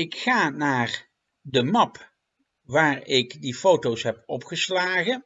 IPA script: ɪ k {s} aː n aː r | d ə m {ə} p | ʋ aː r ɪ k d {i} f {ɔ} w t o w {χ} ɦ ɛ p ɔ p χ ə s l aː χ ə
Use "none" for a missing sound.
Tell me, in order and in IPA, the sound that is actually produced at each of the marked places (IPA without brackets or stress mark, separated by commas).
χ, ɑ, i, o, s